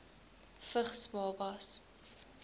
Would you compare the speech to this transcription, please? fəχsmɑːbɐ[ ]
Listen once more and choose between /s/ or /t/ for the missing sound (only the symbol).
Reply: s